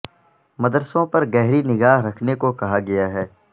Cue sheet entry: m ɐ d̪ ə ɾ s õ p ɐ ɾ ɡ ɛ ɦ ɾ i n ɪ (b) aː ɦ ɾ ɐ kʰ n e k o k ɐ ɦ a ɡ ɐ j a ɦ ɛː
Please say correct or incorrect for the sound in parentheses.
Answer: incorrect